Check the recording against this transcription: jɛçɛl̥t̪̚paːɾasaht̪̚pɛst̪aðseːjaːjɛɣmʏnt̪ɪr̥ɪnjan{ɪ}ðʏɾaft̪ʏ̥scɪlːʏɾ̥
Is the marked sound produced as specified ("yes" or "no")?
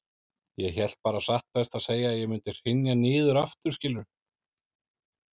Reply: no